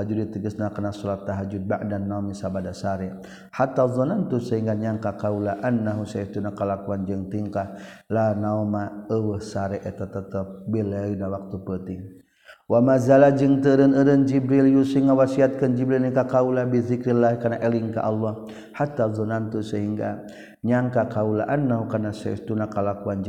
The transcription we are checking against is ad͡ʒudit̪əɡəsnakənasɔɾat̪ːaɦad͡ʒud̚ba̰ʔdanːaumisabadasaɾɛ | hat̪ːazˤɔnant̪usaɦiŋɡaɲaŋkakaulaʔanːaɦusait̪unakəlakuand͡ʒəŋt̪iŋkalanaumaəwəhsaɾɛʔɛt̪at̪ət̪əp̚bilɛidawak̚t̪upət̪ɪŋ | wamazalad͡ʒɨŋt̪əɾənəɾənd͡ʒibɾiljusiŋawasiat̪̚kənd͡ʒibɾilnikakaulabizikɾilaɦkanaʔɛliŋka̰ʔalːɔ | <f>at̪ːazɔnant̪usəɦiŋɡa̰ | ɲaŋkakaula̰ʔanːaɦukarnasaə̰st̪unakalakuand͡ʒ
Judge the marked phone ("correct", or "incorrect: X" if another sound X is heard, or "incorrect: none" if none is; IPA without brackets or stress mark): incorrect: h